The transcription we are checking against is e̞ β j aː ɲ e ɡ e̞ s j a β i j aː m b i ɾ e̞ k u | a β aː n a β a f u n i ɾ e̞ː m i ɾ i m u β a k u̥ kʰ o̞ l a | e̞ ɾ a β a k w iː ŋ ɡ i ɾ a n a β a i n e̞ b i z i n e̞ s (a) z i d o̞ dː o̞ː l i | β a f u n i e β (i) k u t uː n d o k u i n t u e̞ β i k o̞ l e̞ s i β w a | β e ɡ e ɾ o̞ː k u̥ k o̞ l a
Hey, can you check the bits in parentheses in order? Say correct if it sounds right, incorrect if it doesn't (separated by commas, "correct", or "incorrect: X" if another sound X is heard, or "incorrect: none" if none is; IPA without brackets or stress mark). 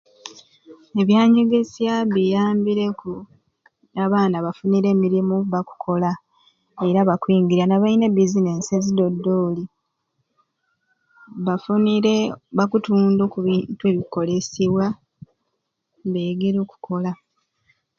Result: incorrect: e, incorrect: a